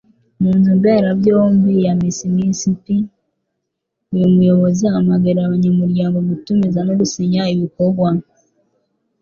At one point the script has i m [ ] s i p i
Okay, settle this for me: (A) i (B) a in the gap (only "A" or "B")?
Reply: A